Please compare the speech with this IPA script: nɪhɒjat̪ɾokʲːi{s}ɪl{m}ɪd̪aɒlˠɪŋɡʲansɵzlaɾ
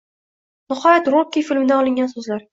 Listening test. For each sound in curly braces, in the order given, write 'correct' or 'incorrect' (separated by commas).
incorrect, correct